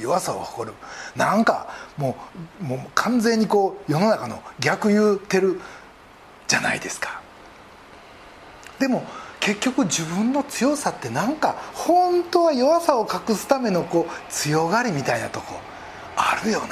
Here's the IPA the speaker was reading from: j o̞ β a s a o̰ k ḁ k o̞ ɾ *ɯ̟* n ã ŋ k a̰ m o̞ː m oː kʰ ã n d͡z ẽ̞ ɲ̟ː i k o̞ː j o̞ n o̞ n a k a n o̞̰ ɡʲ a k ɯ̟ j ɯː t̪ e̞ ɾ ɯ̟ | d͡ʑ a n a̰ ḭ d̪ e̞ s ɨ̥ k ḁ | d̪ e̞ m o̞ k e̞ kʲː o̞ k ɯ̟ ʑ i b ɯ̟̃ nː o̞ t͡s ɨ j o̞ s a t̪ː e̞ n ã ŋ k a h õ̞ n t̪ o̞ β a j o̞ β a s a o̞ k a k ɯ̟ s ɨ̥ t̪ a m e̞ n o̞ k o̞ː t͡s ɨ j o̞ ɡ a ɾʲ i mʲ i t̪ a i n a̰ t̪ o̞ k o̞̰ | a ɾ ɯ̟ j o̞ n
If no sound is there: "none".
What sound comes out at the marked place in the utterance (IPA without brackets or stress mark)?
ɯ̟